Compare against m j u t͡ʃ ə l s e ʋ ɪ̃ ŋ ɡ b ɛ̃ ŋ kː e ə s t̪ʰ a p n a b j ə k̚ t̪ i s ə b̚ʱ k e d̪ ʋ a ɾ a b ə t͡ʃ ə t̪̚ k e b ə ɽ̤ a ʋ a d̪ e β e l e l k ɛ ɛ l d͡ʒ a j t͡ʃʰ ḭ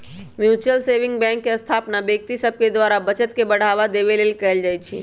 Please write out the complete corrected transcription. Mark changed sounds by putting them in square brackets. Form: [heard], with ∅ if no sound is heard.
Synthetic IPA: m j u t͡ʃ ə l s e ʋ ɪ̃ ŋ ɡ b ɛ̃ ŋ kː e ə s t̪ʰ a p n a b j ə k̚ t̪ i s ə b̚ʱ k e d̪ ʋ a ɾ a b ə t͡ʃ ə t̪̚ k e b ə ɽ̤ a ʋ a d̪ e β e l e l k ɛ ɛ l d͡ʒ a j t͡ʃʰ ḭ